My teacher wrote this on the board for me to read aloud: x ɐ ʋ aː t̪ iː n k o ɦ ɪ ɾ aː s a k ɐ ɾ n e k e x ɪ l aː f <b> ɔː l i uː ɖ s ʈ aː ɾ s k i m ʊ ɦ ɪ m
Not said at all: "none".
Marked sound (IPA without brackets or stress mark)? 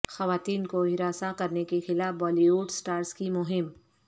b